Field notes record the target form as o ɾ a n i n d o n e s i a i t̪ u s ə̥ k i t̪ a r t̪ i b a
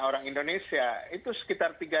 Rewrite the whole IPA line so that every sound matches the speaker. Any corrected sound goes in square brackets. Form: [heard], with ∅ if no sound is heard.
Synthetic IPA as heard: o ɾ a [ŋ] i n d o n e s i a i t̪ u s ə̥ k i t̪ a r t̪ i [ɡ] a